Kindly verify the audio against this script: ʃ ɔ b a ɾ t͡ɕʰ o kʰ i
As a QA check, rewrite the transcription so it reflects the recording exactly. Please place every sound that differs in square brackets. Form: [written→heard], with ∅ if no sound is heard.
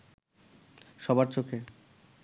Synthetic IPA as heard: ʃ ɔ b a ɾ [t͡ɕʰ→t͡ɕ] o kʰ [i→e]